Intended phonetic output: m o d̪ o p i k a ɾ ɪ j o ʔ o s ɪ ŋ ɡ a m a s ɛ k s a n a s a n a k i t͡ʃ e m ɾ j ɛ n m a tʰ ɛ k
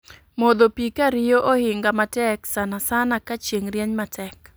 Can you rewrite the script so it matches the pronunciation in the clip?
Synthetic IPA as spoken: m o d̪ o p i k a ɾ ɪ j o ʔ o h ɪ ŋ ɡ a m a t ɛ k s a n a s a n a k a t͡ʃ e ŋ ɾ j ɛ ɲ m a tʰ ɛ k